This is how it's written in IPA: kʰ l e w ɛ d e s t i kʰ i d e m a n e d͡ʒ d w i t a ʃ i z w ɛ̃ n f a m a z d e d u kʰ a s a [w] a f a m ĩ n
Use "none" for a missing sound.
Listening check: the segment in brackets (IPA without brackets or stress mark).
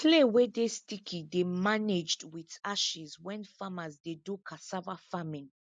v